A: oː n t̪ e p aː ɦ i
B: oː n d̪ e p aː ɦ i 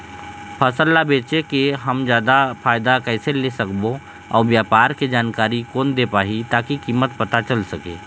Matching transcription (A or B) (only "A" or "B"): B